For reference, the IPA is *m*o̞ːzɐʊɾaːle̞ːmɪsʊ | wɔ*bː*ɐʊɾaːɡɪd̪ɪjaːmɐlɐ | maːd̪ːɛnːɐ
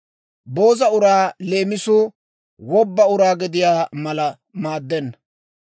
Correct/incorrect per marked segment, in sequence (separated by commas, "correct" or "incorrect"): incorrect, correct